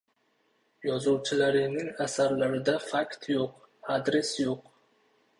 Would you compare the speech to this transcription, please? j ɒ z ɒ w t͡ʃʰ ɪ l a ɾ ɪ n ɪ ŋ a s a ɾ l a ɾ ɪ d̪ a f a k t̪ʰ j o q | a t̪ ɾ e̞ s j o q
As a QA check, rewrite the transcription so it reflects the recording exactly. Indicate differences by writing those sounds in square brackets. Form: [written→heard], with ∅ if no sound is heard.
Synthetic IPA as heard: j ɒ z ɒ w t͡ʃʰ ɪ l a ɾ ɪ n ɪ ŋ a s a ɾ l a ɾ ɪ d̪ a f a k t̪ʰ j o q | a [t̪→d̪] ɾ e̞ s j o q